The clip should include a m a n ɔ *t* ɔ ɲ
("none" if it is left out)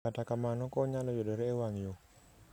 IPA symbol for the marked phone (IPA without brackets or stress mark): k